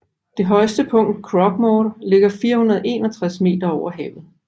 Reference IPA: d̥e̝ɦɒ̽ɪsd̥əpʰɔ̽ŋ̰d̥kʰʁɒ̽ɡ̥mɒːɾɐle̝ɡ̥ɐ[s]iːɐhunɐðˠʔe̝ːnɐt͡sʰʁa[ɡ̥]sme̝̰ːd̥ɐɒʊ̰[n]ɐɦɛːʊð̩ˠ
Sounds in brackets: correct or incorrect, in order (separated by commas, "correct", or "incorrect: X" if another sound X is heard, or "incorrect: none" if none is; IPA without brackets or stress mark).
incorrect: f, incorrect: none, incorrect: none